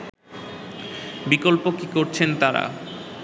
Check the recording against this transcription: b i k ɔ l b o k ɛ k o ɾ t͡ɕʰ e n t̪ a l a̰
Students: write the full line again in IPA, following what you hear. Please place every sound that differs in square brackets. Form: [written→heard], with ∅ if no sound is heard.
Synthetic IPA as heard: b i k [ɔ→o] l [b→p] o k [ɛ→i] k o ɾ t͡ɕʰ e n t̪ a [l→ɾ] a̰